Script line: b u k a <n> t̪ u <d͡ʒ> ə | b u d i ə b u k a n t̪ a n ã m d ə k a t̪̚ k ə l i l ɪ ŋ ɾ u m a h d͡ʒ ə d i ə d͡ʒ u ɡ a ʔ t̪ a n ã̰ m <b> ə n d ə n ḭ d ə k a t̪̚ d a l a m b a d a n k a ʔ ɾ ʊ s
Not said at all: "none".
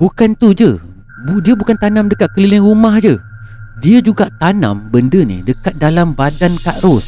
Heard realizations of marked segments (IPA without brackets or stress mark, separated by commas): n, d͡ʒ, b